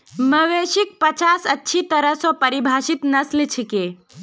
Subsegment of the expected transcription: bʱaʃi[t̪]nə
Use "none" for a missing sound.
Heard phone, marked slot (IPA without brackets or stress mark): t̪